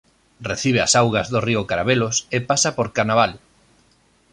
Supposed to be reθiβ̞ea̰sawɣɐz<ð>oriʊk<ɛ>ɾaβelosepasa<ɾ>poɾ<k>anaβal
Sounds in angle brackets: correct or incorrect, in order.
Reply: correct, incorrect, incorrect, correct

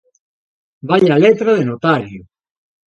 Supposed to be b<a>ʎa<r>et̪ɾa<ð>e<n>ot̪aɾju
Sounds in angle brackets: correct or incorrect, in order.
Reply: correct, incorrect, correct, correct

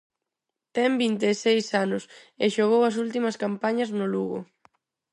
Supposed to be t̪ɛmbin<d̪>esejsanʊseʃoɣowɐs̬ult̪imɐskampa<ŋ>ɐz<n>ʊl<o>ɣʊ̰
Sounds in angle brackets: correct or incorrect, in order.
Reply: incorrect, incorrect, correct, incorrect

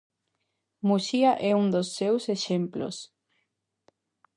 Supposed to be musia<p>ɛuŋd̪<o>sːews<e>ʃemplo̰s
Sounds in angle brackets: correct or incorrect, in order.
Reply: incorrect, correct, correct

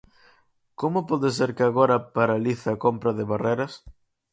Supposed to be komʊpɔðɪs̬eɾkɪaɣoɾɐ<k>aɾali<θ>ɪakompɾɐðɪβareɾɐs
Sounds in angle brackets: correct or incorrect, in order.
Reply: incorrect, correct

